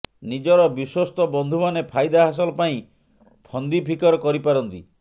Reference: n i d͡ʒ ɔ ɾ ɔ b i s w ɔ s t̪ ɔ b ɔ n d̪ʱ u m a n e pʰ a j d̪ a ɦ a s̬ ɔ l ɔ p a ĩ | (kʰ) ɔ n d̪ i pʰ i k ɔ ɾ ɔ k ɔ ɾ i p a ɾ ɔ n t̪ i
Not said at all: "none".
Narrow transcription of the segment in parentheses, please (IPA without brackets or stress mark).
pʰ